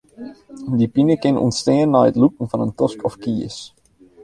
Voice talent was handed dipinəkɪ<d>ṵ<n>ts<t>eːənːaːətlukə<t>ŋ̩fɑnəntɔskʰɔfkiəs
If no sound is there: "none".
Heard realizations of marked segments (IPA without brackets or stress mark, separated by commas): n, n, t, none